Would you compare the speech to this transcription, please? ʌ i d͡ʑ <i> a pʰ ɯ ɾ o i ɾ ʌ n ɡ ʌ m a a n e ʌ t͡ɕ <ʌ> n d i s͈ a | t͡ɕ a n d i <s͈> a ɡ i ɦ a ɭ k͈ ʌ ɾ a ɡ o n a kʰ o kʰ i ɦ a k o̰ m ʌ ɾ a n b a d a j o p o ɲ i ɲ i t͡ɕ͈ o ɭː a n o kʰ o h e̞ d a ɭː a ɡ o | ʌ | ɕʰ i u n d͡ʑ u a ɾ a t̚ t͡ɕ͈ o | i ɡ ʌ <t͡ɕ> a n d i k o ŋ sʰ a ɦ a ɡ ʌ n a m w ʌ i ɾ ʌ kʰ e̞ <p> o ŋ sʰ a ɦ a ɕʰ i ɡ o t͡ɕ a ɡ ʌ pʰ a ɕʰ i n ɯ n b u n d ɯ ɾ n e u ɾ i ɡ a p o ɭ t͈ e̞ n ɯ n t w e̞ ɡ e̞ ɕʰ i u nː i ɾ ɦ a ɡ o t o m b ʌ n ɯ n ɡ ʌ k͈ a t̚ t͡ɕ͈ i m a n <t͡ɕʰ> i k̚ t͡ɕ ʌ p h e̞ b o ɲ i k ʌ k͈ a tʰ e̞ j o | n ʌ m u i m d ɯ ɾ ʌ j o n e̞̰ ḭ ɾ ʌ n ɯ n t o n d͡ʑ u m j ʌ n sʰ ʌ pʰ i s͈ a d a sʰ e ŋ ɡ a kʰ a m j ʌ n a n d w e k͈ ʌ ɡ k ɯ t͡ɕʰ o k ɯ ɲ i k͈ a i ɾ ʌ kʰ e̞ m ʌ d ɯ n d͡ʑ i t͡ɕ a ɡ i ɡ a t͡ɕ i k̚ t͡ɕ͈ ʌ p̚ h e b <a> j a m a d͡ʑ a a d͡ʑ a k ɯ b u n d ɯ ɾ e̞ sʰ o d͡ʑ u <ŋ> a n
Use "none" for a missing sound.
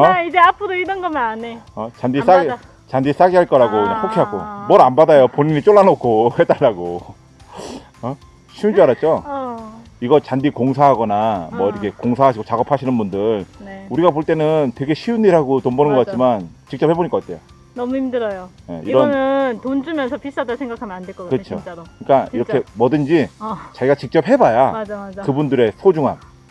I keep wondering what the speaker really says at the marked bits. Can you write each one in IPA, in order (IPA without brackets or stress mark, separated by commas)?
e, a, s͈, t͡ɕ, k, t͡ɕ, a, ŋ